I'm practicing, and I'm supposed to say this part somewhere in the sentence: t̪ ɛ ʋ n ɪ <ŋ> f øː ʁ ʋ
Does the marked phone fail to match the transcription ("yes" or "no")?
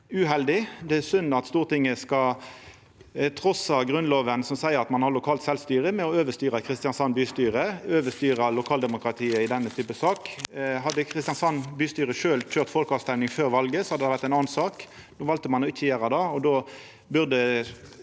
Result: no